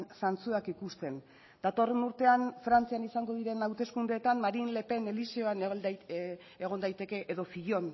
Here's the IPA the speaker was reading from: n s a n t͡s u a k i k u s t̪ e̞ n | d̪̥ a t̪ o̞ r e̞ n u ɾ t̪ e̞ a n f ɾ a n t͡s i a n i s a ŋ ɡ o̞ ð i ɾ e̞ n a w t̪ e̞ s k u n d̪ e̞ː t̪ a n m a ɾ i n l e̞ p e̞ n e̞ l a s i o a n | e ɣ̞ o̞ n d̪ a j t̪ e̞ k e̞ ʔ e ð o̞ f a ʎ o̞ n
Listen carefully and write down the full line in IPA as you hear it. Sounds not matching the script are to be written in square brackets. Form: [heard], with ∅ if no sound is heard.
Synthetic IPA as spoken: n s a n t͡s u a k i k u s t̪ e̞ n | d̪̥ a t̪ o̞ r e̞ n u ɾ t̪ e̞ a n f ɾ a n t͡s i a n i s a ŋ ɡ o̞ ð i ɾ e̞ n a w t̪ e̞ s k u n d̪ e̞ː t̪ a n m a ɾ i n l e̞ p e̞ n e̞ l [i] s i o a n | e ɣ̞ o̞ n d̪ a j t̪ e̞ k e̞ ʔ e ð o̞ f [i] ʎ o̞ n